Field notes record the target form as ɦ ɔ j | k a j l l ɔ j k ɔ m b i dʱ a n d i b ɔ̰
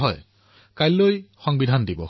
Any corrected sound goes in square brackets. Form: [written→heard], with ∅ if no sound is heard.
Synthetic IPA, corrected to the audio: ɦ ɔ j | k a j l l [ɔ→o] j [k→x] ɔ [m→ŋ] b i dʱ a n d i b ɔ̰